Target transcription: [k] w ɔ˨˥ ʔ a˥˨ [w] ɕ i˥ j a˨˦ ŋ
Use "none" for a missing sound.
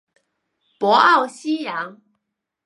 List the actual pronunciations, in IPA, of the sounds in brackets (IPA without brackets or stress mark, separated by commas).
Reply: p, w